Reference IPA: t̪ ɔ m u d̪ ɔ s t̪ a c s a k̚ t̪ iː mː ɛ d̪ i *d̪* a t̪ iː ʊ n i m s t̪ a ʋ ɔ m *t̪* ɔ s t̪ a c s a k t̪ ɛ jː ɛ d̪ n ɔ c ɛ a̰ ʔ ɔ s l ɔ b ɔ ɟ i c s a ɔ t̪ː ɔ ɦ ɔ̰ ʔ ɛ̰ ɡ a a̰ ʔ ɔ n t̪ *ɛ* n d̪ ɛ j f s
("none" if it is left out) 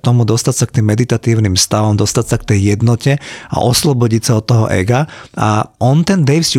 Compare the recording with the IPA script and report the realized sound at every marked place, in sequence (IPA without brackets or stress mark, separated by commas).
t̪, d̪, ɛ